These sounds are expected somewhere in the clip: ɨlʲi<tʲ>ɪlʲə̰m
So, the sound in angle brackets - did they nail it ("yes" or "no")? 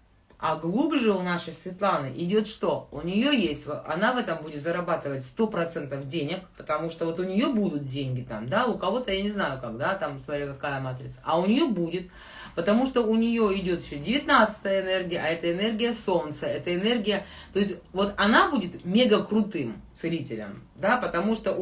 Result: yes